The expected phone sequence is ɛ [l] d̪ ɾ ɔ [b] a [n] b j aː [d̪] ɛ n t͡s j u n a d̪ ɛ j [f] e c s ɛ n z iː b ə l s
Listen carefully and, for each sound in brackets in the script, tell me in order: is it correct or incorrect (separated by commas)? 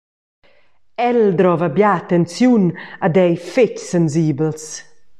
correct, incorrect, incorrect, incorrect, correct